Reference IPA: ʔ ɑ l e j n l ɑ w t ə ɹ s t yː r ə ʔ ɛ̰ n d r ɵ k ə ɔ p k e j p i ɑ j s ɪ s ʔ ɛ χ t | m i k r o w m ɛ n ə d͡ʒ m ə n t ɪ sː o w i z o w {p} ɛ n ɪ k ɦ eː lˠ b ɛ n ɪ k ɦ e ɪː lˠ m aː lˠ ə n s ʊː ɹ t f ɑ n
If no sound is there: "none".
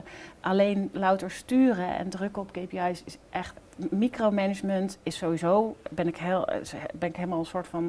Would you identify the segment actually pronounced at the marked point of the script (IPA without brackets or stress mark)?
b